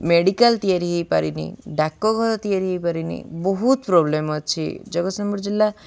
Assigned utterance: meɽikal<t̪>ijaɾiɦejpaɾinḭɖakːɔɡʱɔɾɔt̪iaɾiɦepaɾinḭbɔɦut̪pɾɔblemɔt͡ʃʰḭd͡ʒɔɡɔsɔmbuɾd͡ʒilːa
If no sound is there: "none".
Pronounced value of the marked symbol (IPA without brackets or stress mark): t̪